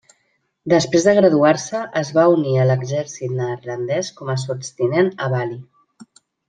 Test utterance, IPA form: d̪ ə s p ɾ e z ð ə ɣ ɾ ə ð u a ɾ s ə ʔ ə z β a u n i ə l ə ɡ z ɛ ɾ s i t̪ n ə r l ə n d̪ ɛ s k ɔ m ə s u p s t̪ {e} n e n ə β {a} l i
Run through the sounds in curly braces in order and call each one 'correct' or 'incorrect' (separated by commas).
incorrect, correct